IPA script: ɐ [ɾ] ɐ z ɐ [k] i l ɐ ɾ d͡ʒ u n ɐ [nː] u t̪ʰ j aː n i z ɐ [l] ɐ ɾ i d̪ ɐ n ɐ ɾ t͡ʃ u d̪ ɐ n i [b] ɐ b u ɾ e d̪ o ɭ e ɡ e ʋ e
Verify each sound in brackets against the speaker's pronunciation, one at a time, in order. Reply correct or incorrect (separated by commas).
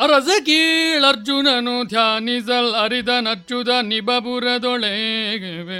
correct, correct, incorrect, correct, correct